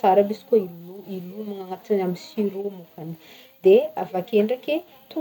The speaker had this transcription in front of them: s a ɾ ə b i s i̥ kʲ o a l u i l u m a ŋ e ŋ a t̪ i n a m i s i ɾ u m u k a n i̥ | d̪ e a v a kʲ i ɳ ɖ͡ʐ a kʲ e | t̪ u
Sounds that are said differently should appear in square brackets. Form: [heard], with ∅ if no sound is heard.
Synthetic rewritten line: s a ɾ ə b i s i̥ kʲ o [i] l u i l u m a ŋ [a] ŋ a t̪ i n a m i s i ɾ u m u k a n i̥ | d̪ e a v a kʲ [e] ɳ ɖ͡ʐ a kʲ e | t̪ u